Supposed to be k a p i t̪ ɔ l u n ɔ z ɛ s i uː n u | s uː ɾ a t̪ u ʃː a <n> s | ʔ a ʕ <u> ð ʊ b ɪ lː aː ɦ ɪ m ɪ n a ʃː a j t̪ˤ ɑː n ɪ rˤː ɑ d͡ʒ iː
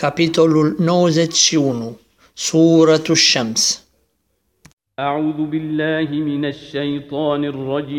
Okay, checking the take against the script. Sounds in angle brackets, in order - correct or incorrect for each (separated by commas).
incorrect, incorrect